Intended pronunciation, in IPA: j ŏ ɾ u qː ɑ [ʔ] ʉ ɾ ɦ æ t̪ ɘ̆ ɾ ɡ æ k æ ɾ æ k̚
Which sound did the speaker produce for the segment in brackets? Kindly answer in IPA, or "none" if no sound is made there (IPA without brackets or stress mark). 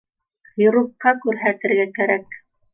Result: k